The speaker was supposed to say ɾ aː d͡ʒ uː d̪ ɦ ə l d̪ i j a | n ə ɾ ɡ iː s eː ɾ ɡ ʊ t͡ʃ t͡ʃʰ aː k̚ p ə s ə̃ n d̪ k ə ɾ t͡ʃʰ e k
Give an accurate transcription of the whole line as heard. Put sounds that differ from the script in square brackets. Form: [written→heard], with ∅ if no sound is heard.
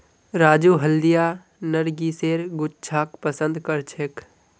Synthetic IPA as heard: ɾ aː d͡ʒ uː [d̪→∅] ɦ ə l d̪ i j a | n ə ɾ ɡ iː s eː ɾ ɡ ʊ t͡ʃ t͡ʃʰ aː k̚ p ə s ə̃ n d̪ k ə ɾ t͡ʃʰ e k

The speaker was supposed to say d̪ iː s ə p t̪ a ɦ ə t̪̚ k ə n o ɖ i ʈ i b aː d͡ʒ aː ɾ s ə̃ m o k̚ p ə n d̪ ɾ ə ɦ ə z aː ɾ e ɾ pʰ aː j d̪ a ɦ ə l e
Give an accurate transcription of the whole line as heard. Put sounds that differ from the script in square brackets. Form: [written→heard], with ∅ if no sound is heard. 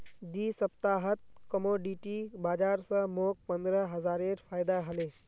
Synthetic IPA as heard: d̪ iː s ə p t̪ a ɦ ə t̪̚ k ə [n→m] o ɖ i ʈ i b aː d͡ʒ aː ɾ s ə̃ m o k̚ p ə n d̪ ɾ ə ɦ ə z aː ɾ e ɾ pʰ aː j d̪ a ɦ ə l e

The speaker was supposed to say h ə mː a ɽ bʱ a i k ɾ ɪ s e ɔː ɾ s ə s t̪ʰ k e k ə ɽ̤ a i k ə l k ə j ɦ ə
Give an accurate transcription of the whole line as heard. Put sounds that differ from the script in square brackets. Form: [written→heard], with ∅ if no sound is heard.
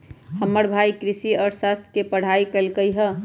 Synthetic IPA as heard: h ə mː [a→ə] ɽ bʱ a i k ɾ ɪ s [e→i] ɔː ɾ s [ə→a] s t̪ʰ k e [k→p] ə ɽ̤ a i k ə l k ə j ɦ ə

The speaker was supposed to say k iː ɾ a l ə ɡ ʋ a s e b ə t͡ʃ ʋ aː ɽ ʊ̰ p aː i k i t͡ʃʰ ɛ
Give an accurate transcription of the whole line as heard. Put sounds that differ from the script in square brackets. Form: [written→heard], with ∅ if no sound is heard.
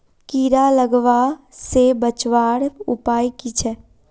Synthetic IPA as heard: k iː ɾ a l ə ɡ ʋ a s e b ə t͡ʃ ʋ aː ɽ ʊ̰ p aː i k i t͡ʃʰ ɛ

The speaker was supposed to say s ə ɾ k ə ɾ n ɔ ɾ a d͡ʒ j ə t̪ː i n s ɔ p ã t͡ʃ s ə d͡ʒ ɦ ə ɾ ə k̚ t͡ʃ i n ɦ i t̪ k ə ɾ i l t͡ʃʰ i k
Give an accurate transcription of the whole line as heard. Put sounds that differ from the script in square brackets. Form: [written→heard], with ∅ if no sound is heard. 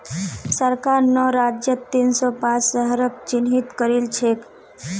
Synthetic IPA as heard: s ə ɾ k [ə→a] ɾ n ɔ ɾ a d͡ʒ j ə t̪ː i n s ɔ p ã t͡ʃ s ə [d͡ʒ→∅] ɦ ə ɾ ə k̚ t͡ʃ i n ɦ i t̪ k ə ɾ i l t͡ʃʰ [i→e] k

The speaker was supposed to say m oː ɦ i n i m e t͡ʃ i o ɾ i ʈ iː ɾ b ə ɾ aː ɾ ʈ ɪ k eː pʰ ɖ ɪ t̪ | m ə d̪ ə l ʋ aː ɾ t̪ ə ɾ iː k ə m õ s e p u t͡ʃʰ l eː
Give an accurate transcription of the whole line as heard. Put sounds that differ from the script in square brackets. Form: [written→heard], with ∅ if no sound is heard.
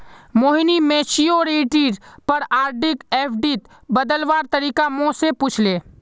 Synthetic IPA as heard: m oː ɦ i n i m e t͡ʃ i o ɾ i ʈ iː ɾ [b→p] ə ɾ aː ɾ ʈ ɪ k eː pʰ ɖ [ɪ→i] t̪ | [m→b] ə d̪ ə l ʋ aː ɾ t̪ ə ɾ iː k [ə→a] m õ s e p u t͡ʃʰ l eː

